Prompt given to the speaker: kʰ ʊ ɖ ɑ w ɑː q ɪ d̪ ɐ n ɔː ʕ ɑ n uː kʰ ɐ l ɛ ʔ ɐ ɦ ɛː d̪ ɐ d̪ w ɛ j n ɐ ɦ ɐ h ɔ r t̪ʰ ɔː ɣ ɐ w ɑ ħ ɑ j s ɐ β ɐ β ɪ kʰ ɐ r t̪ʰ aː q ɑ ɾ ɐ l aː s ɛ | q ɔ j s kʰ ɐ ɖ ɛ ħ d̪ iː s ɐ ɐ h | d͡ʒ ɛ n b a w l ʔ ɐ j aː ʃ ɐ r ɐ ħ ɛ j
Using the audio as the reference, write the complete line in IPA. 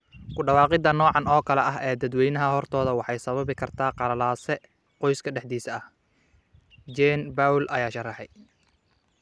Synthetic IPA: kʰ ʊ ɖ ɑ w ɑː q ɪ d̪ ɐ n ɔː ʕ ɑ n ɔː kʰ ɐ l ɛ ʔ ɐ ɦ ɛː d̪ ɐ d̪ w ɛ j n ɐ ɦ ɐ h ɔ r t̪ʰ ɔː ð ɐ w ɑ ħ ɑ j s ɐ β ɐ β ɪ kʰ ɐ r t̪ʰ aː q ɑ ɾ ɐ l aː s ɛ | q ɔ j s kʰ ɐ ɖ ɛ ħ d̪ iː s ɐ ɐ h | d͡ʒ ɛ n b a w l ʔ ɐ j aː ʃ ɐ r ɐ ħ ɛ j

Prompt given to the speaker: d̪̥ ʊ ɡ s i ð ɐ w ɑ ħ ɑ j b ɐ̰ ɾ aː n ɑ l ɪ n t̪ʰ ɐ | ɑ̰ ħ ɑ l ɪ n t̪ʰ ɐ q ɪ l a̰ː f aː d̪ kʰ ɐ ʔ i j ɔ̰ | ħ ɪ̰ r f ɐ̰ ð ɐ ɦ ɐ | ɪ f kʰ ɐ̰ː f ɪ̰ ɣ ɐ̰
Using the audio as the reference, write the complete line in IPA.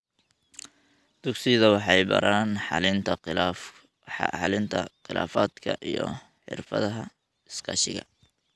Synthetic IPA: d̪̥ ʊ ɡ s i ð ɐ w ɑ ħ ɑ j b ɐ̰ ɾ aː n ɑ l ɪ n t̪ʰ ɐ | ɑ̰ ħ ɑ l ɪ n t̪ʰ ɐ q ɪ l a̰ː f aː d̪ kʰ ɐ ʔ i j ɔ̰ | ħ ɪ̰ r f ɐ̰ ð ɐ ɦ ɐ | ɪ s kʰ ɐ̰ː ʃ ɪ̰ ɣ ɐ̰

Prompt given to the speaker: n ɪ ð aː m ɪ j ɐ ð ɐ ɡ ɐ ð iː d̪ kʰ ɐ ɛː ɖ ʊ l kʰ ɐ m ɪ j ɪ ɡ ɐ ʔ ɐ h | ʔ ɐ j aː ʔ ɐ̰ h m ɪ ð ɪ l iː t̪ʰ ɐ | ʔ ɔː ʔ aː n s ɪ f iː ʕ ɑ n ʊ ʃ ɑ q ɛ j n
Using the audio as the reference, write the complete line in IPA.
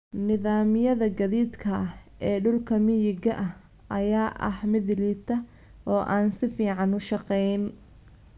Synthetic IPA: n ɪ ð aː m ɪ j ɐ ð ɐ ɡ ɐ ð iː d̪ kʰ ɐ ɛː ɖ ʊ l kʰ ɐ m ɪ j ɪ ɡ ɐ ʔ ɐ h | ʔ ɐ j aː ʔ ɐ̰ h m ɪ ð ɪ l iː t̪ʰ ɐ | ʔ ɔː ʔ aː n s ɪ f iː ʕ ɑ n ʊ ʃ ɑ q ɛ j n

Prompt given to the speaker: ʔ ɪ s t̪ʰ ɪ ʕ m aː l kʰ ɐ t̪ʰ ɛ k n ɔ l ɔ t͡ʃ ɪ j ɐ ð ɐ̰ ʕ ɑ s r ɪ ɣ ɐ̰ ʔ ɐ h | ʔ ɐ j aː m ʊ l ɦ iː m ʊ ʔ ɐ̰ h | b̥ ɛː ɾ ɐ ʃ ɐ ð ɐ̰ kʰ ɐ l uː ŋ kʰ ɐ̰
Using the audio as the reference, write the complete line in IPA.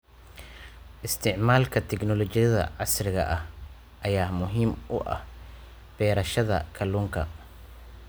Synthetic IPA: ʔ ɪ s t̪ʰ ɪ ʕ m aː l kʰ ɐ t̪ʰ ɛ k n ɔ l ɔ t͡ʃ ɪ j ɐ ð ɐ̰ ʕ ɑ s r ɪ ɣ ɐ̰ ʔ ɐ h | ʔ ɐ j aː m ʊ ɦ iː m ʊ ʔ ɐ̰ h | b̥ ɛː ɾ ɐ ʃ ɐ ð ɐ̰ kʰ ɐ l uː ŋ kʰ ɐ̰

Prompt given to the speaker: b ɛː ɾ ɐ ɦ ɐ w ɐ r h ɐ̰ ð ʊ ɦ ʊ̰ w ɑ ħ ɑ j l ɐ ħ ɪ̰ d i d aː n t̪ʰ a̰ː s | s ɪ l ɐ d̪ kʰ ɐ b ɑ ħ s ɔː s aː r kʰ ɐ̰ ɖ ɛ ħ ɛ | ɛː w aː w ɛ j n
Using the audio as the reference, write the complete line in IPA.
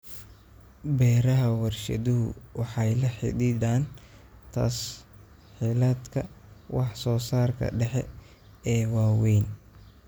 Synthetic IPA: b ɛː ɾ ɐ ɦ ɐ w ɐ r ʃ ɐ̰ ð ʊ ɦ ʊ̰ w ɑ ħ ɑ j l ɐ ħ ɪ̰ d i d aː n t̪ʰ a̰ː s | ħ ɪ l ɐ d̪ kʰ ɐ w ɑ ħ s ɔː s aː r kʰ ɐ̰ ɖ ɛ ħ ɛ | ɛː w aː w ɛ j n

